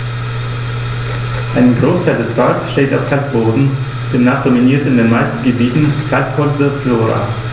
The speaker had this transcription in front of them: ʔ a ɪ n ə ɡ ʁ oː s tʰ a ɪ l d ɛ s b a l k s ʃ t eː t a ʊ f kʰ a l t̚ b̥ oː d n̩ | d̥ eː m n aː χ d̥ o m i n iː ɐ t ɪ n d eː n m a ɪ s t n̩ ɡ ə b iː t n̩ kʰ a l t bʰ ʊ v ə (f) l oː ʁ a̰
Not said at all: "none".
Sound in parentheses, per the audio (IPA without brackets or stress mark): f